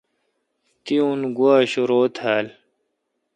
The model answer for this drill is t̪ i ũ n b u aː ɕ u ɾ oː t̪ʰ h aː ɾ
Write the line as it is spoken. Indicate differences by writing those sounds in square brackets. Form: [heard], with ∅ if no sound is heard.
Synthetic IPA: t̪ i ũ n [ɡ] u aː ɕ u ɾ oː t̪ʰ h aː [l]